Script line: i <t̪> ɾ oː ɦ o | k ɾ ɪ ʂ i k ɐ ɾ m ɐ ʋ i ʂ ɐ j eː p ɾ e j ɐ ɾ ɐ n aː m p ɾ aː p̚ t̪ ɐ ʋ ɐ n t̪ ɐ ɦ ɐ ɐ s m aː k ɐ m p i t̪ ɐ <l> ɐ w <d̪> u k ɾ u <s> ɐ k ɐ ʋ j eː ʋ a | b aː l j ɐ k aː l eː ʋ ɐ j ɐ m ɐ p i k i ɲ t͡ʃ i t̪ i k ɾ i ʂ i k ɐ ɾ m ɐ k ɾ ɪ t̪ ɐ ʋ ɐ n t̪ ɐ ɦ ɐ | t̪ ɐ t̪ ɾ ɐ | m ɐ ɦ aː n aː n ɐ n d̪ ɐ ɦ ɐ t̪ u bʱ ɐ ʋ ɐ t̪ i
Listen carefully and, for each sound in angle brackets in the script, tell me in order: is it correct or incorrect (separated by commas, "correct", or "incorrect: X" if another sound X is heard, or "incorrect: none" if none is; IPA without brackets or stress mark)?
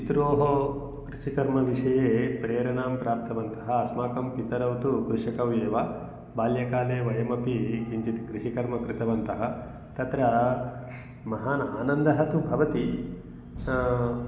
correct, incorrect: ɾ, incorrect: t̪, incorrect: ʂ